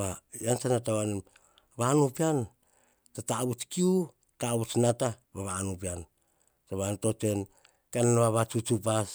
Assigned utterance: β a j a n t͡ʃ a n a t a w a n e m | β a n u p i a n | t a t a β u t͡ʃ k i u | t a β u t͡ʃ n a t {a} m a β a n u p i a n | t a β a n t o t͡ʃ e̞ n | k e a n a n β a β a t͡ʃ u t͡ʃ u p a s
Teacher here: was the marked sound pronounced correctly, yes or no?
yes